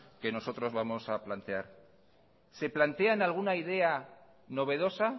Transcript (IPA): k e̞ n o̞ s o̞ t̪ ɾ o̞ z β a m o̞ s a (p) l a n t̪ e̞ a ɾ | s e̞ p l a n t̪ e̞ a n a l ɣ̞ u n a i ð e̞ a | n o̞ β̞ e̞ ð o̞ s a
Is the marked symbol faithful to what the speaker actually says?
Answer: yes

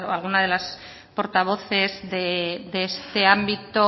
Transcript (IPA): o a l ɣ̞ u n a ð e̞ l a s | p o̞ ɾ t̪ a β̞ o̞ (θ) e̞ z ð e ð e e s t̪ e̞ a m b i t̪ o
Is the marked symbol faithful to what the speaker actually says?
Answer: yes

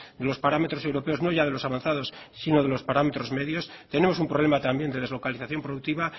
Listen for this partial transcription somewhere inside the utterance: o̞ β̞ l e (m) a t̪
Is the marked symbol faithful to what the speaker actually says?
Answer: yes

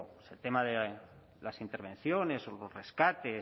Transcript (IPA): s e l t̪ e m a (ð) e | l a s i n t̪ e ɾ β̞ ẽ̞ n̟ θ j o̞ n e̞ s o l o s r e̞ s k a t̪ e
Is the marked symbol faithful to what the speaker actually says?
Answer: yes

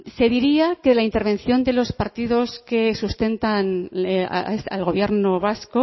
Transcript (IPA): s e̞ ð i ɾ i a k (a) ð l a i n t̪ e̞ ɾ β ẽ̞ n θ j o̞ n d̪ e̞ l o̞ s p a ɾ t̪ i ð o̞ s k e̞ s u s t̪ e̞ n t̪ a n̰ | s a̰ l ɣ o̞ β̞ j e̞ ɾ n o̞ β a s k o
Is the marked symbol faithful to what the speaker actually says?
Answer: no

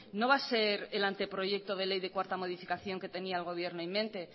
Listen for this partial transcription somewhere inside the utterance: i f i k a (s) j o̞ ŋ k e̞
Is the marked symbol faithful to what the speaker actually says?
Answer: no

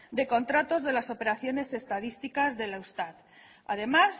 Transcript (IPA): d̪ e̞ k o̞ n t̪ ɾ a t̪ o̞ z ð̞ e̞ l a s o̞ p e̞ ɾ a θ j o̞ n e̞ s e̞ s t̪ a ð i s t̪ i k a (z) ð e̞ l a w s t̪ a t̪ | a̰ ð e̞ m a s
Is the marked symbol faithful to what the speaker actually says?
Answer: yes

